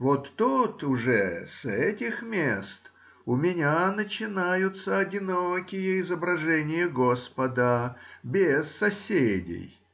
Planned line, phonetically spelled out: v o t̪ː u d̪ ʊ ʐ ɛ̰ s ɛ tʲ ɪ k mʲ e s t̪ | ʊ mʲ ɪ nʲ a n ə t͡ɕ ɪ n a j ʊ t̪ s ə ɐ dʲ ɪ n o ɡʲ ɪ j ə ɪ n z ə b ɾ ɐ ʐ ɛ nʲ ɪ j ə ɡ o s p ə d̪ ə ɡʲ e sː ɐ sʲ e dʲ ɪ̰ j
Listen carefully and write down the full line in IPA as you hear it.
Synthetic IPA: v o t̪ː u t̪ ʊ ʐ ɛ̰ s ɛ tʲ ɪ x mʲ e s t̪ | ʊ mʲ ɪ nʲ a n ə t͡ɕ ɪ n a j ʊ t̪ s ə ɐ dʲ ɪ n o kʲ ɪ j ə ɪ z ə b ɾ ɐ ʐ ɛ nʲ ɪ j ə ɡ o s p ə d̪ ə bʲ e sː ɐ sʲ e dʲ ɪ̰ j